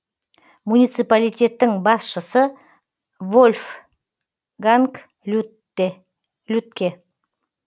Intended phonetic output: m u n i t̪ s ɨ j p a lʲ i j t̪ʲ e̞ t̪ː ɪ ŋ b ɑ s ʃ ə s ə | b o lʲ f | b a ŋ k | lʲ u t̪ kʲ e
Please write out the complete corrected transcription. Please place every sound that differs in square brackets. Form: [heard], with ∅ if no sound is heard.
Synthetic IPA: m u n i t̪ s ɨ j p a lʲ i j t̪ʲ e̞ t̪ː ɪ ŋ b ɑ s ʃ ə s ə | [v] o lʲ f | [ɡ] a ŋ k | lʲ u t̪ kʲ e